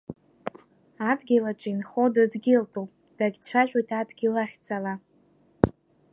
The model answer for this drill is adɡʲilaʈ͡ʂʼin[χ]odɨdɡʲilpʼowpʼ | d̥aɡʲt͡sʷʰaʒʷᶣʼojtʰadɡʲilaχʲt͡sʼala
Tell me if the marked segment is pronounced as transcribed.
yes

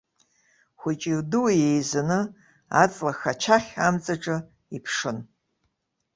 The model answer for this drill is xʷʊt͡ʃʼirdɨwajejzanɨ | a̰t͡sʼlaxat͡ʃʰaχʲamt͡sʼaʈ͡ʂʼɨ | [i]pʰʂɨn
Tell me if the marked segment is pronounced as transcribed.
yes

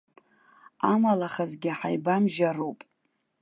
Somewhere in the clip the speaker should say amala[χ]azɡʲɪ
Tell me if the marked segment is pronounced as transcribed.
yes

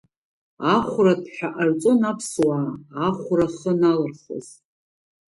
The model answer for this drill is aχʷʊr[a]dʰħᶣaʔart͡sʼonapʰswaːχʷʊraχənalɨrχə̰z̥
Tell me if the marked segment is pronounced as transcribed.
yes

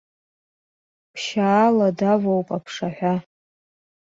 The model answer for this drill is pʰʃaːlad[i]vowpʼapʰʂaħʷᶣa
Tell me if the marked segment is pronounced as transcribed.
no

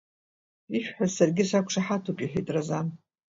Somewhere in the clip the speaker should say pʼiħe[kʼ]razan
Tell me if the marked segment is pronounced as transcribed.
no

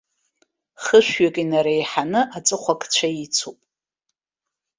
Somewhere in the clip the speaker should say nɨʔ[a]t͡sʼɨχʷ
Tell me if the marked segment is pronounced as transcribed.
yes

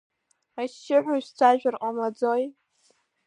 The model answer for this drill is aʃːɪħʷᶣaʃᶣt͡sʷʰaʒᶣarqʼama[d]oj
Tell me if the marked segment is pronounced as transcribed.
no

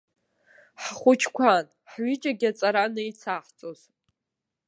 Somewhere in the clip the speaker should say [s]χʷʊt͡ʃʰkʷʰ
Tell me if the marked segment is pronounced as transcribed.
no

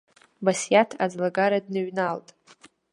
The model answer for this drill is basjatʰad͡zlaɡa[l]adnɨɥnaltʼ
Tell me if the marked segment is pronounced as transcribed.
no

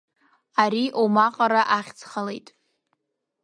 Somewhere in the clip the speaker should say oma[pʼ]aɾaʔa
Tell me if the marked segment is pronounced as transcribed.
no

